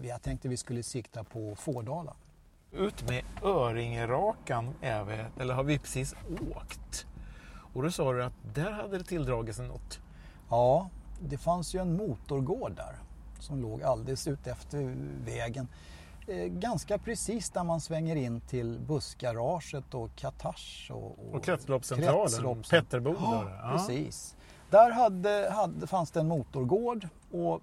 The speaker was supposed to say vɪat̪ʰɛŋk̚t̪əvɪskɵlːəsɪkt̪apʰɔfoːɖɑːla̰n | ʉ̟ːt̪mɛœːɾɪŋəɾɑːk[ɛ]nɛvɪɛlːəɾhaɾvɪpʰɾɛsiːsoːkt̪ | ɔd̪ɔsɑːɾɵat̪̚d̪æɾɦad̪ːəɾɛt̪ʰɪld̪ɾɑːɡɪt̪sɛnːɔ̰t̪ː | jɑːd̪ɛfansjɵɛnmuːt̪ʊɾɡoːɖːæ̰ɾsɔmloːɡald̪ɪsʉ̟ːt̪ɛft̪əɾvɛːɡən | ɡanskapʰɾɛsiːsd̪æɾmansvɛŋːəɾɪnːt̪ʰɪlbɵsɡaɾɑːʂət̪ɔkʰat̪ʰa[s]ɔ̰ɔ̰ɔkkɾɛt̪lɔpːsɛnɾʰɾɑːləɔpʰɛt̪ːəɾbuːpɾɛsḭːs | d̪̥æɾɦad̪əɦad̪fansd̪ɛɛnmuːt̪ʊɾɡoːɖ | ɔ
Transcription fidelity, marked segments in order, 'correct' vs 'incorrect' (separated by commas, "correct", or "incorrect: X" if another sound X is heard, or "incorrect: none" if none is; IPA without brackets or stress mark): incorrect: a, incorrect: ʂ